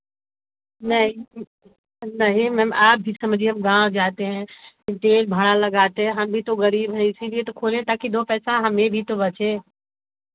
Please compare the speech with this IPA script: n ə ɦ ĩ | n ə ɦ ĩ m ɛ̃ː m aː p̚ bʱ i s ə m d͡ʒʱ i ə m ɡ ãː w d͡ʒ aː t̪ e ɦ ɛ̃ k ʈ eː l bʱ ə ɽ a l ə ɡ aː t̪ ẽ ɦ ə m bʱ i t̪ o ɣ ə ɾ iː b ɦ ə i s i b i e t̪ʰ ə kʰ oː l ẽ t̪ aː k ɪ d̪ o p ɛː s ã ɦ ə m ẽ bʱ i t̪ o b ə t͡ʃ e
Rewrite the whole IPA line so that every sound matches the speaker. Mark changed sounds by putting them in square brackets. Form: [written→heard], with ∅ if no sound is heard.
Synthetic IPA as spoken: n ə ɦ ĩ | n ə ɦ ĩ m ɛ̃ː m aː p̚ bʱ i s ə m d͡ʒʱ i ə m ɡ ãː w d͡ʒ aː t̪ e ɦ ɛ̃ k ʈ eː l bʱ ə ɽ a l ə ɡ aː t̪ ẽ ɦ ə m bʱ i t̪ o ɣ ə ɾ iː b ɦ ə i s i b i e [t̪ʰ→t̪] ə kʰ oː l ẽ t̪ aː k [ɪ→i] d̪ o p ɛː s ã ɦ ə m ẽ bʱ i t̪ o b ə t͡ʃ e